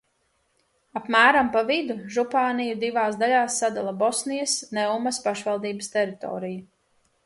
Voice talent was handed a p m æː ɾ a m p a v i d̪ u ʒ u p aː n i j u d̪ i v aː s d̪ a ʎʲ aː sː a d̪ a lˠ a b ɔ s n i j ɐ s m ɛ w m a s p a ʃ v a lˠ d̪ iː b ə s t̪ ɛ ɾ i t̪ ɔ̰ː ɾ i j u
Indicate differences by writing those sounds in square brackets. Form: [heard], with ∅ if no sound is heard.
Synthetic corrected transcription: a p m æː ɾ a m p a v i d̪ u ʒ u p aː n i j u d̪ i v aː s d̪ a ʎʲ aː sː a d̪ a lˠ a b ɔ s n i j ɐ s [n] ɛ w m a s p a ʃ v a lˠ d̪ iː b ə s t̪ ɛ ɾ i t̪ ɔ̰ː ɾ i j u